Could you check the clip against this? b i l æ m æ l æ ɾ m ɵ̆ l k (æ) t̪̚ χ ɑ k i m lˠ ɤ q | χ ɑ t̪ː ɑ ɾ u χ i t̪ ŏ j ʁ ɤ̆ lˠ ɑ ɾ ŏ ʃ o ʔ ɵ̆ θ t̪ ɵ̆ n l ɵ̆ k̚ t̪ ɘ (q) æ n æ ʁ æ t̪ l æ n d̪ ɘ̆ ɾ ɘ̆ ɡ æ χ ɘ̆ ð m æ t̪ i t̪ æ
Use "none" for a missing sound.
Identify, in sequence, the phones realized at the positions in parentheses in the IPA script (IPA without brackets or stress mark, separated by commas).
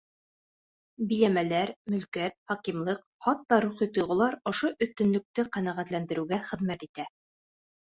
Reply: æ, q